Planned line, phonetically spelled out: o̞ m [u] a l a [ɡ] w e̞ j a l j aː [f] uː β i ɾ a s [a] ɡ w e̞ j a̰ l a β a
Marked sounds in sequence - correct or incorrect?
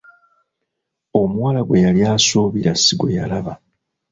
incorrect, correct, incorrect, incorrect

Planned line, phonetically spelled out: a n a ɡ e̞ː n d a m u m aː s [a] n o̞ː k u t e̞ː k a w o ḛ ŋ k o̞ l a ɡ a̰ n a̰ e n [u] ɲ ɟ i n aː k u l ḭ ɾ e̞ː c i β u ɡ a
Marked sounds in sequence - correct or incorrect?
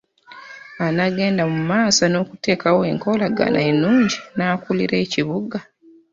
correct, incorrect

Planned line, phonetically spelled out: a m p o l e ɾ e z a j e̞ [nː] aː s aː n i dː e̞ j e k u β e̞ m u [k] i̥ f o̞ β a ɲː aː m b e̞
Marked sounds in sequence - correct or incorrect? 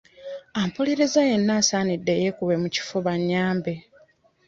correct, incorrect

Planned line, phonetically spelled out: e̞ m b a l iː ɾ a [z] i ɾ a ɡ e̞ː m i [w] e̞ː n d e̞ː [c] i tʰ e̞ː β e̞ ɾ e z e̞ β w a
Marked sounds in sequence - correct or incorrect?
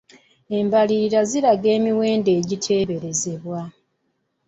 correct, correct, incorrect

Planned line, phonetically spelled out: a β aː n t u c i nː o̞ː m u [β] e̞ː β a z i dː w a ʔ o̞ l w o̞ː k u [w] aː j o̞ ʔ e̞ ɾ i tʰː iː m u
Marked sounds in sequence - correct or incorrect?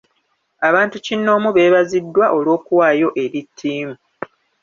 correct, correct

